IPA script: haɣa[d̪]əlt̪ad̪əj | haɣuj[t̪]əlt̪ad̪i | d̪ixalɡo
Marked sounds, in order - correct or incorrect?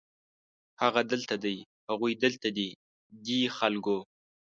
correct, incorrect: d̪

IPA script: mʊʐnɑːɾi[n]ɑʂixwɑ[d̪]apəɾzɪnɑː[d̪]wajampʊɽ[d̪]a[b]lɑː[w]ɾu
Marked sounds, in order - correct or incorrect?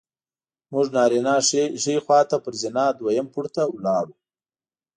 correct, incorrect: t̪, correct, incorrect: t̪, incorrect: w, incorrect: none

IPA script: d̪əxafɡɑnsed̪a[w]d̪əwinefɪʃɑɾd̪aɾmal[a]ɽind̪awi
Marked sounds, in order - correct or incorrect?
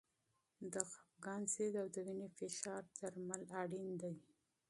correct, correct

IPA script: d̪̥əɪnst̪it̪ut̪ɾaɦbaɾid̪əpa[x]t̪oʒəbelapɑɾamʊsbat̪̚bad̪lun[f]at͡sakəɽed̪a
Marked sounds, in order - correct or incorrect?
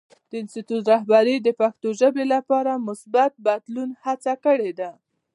correct, incorrect: h

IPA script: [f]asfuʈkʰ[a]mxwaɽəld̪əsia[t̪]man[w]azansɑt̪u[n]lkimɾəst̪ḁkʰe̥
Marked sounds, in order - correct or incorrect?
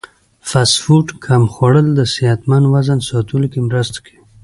correct, correct, correct, correct, incorrect: none

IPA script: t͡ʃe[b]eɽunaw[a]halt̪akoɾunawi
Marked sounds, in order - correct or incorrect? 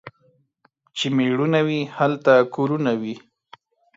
incorrect: m, incorrect: i

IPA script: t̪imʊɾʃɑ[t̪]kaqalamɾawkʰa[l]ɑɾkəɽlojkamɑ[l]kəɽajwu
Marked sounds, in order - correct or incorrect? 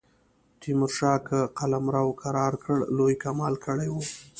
incorrect: none, incorrect: ɾ, correct

